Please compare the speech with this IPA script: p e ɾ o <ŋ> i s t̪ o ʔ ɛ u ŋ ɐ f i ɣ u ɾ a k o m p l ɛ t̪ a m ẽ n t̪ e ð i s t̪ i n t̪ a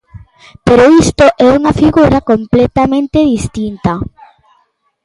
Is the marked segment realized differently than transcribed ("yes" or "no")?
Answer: yes